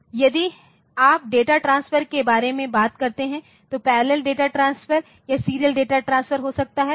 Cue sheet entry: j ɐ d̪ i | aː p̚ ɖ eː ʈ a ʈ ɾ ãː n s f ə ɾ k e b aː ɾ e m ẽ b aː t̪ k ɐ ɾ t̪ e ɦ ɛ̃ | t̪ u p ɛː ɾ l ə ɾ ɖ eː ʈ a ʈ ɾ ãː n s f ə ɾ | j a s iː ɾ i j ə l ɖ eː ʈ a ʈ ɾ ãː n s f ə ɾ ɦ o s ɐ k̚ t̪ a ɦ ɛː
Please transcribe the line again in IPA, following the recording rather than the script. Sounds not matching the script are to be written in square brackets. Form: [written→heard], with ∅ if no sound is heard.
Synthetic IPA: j ɐ d̪ i | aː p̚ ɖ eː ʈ a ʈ ɾ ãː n s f ə ɾ k e b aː ɾ e m ẽ b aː t̪ k ɐ ɾ t̪ e ɦ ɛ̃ | t̪ [u→o] p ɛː ɾ l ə [ɾ→l] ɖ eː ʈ a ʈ ɾ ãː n s f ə ɾ | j a s iː ɾ i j ə l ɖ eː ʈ a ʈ ɾ ãː n s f ə ɾ ɦ o s ɐ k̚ t̪ a ɦ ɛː